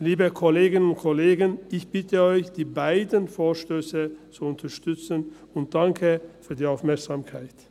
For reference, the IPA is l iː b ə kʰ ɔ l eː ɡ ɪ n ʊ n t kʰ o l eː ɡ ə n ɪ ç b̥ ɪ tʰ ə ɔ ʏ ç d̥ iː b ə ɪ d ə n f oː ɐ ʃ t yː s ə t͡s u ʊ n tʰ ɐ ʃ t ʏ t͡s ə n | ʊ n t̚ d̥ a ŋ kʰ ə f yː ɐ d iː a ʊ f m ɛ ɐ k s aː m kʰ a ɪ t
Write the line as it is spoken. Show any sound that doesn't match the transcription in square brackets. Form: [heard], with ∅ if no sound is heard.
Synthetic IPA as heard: l iː b ə kʰ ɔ l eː ɡ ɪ n ʊ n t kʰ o l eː ɡ ə n ɪ ç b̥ ɪ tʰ ə ɔ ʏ ç d̥ iː b [a] ɪ d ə n f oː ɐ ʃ t [øː] s ə t͡s u ʊ n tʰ ɐ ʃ t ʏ t͡s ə n | ʊ n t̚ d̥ a ŋ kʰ ə f yː ɐ d iː a ʊ f m ɛ ɐ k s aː m kʰ a ɪ t